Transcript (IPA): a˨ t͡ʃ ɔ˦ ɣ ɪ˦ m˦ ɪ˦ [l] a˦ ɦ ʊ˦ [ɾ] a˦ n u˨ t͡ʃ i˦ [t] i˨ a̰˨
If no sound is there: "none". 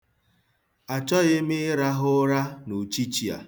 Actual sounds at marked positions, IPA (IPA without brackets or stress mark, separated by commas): ɾ, ɾ, t͡ʃ